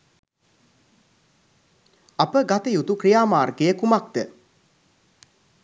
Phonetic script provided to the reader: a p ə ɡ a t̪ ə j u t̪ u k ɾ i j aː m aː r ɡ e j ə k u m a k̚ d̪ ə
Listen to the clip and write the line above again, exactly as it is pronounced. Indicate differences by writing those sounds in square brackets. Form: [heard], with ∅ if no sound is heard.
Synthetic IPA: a p ə ɡ a t̪ ə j u t̪ u k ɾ i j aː m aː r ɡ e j ə k u m a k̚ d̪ ə